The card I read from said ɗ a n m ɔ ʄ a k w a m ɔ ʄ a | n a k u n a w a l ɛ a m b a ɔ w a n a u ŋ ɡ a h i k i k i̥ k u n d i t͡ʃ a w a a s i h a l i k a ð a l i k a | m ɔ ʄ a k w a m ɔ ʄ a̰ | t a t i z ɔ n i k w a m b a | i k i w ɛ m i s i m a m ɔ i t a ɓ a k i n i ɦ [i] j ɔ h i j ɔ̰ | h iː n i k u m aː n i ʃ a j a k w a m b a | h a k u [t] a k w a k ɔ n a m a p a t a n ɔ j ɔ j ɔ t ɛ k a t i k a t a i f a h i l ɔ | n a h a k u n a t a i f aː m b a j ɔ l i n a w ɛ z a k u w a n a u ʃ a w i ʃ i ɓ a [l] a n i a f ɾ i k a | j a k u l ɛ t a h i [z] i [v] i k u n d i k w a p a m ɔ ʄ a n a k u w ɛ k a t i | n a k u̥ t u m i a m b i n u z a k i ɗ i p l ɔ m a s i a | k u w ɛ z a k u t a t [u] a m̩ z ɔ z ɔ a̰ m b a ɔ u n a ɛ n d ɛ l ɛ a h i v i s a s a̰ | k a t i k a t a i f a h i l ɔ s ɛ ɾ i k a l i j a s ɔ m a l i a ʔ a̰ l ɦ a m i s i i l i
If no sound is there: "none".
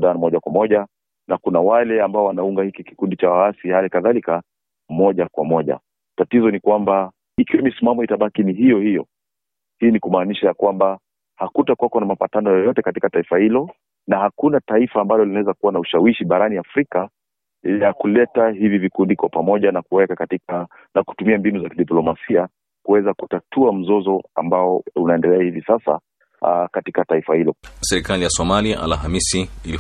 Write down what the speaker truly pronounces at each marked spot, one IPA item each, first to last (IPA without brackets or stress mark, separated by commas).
i, t, ɾ, v, v, u